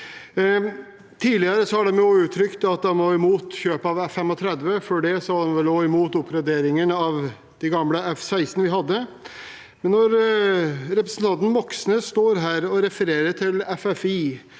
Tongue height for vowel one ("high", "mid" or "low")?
high